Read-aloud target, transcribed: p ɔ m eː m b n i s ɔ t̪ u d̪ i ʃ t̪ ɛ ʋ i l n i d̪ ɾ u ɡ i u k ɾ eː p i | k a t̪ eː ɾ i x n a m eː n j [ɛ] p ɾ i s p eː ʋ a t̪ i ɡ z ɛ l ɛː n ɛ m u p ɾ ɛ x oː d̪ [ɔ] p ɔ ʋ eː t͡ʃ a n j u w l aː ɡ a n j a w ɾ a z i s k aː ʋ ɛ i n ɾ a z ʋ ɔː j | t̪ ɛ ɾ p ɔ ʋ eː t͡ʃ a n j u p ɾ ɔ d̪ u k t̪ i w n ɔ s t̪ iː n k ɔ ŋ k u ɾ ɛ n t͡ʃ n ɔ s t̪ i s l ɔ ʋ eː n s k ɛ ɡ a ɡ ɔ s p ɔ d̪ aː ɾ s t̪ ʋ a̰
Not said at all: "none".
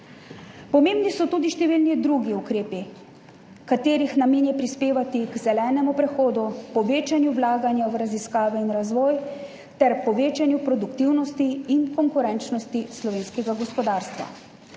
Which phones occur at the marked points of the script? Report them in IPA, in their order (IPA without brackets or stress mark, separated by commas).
ɛ, u